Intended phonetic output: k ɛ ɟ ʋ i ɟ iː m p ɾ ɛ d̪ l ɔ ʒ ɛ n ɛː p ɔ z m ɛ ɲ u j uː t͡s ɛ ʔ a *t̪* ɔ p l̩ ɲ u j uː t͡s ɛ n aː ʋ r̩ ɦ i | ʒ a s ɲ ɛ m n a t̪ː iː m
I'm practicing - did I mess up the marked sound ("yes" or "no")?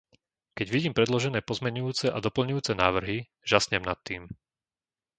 yes